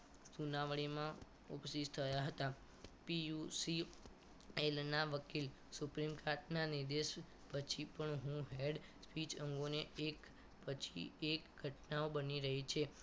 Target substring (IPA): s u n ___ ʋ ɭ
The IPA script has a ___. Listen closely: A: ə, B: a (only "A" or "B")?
B